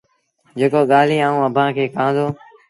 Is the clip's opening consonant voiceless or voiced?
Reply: voiced